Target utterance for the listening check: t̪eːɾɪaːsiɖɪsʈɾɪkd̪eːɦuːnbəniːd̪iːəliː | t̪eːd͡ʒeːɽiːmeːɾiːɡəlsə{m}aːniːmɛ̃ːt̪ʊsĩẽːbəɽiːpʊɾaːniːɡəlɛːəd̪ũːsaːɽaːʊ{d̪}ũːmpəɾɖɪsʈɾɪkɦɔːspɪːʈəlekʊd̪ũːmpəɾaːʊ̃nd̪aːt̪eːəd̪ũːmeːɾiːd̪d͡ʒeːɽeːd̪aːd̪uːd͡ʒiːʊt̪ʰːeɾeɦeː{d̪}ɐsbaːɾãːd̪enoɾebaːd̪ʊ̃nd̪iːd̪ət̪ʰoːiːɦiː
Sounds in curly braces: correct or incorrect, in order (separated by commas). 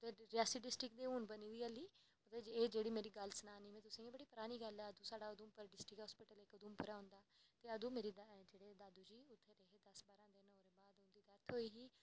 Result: incorrect, correct, correct